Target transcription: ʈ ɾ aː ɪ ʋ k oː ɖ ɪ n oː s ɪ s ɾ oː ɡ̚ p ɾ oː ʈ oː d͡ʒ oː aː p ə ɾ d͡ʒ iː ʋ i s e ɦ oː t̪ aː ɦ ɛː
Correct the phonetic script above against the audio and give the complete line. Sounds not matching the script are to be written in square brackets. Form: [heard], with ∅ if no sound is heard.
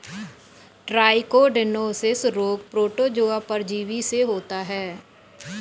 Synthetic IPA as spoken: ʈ ɾ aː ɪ [∅] k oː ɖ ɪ n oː s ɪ s ɾ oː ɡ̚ p ɾ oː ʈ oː d͡ʒ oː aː p ə ɾ d͡ʒ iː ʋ i s e ɦ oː t̪ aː ɦ ɛː

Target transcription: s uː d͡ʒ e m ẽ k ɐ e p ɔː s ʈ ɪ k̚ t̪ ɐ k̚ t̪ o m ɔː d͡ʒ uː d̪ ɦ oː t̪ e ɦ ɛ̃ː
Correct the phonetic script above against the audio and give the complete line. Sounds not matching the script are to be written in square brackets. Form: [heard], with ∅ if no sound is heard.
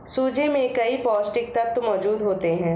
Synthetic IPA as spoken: s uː d͡ʒ e m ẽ k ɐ [i] p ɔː s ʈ ɪ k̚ t̪ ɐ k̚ t̪ o m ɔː d͡ʒ uː d̪ ɦ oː t̪ e ɦ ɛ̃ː

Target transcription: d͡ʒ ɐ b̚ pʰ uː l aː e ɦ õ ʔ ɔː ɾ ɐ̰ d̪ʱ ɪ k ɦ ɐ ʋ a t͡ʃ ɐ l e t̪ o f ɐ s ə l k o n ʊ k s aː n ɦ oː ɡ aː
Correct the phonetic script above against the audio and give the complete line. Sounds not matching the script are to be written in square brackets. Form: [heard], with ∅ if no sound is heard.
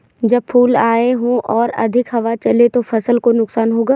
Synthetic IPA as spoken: d͡ʒ ɐ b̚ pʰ uː l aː e ɦ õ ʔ ɔː ɾ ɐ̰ d̪ʱ ɪ k ɦ ɐ ʋ a t͡ʃ ɐ l e t̪ o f ɐ s ə l k o n ʊ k s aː n ɦ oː ɡ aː

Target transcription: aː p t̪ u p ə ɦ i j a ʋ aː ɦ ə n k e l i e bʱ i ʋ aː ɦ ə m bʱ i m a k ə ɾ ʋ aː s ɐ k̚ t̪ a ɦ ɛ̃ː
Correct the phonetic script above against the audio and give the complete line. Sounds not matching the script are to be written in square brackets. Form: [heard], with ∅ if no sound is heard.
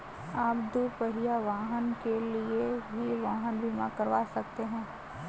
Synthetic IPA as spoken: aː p [d̪] u p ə ɦ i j a ʋ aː ɦ ə n k e l i e bʱ i ʋ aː ɦ ə [n] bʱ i m a k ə ɾ ʋ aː s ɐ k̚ t̪ [e] ɦ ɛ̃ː

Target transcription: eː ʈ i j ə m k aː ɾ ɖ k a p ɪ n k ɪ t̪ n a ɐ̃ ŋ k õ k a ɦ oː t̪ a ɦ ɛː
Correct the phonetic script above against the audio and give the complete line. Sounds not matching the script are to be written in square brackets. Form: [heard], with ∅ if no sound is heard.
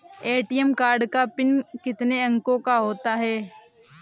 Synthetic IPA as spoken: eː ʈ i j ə m k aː ɾ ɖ k a p ɪ n k ɪ t̪ n [e] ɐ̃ ŋ k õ k a ɦ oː t̪ a ɦ ɛː

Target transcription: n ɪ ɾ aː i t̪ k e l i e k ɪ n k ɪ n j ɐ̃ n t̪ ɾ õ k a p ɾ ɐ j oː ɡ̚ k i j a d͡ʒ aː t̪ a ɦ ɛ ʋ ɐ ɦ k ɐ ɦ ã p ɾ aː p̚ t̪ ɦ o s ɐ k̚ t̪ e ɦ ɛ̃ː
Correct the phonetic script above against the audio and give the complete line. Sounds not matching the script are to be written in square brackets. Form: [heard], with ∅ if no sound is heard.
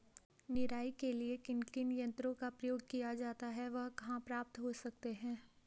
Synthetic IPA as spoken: n ɪ ɾ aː i [∅] k e l i e k ɪ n k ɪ n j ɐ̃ n t̪ ɾ õ k a p ɾ ɐ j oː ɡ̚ k i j a d͡ʒ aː t̪ a ɦ ɛ ʋ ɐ ɦ k ɐ ɦ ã p ɾ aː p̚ t̪ ɦ o s ɐ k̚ t̪ e ɦ ɛ̃ː

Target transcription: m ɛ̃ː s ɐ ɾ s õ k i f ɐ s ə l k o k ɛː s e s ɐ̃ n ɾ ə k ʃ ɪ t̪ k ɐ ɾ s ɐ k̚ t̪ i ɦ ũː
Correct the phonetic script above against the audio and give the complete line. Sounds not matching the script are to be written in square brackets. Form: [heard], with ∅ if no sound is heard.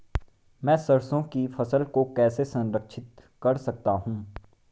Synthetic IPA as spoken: m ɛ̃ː s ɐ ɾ s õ k i f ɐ s ə l k o k ɛː s e s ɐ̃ n ɾ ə k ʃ ɪ t̪ k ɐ ɾ s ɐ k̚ t̪ [a] ɦ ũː

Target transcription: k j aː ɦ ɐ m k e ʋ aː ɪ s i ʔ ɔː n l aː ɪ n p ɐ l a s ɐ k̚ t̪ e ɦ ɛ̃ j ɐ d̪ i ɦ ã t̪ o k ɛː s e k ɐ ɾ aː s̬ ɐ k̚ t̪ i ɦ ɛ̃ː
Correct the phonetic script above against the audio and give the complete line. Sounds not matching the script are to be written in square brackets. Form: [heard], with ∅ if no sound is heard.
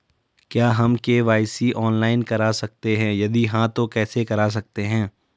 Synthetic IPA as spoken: k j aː ɦ ɐ m k e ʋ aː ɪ s i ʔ ɔː n l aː ɪ n [k] ɐ [ɾ] a s ɐ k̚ t̪ e ɦ ɛ̃ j ɐ d̪ i ɦ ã t̪ o k ɛː s e k ɐ ɾ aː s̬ ɐ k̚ t̪ [e] ɦ ɛ̃ː

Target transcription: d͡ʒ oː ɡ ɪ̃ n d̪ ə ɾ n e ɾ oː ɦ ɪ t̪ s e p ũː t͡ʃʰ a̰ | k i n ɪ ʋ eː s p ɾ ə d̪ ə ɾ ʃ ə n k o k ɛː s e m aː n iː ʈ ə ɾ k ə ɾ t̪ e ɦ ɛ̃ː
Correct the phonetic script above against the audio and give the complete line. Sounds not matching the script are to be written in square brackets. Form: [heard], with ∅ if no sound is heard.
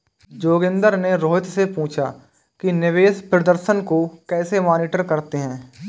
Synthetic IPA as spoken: d͡ʒ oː ɡ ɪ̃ n d̪ ə ɾ n e ɾ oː ɦ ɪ t̪ s e p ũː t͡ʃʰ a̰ | k i n ɪ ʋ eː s p ɾ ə d̪ ə ɾ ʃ ə n k o k ɛː s e m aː n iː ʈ ə ɾ k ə ɾ t̪ e ɦ ɛ̃ː

